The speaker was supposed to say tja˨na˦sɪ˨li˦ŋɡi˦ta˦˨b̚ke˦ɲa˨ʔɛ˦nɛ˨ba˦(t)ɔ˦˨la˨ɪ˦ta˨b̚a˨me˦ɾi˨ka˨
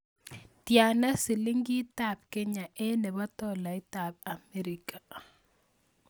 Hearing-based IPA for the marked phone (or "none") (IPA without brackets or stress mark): t